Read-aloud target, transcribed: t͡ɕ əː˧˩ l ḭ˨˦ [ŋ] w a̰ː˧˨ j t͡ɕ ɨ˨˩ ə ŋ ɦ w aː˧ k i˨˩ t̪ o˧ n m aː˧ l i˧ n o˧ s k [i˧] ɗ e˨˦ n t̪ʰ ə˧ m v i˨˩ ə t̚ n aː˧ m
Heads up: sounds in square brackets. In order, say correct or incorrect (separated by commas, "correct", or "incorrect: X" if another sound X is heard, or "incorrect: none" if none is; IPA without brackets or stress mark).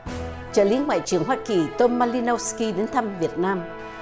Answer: correct, correct